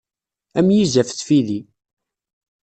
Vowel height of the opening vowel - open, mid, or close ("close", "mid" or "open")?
open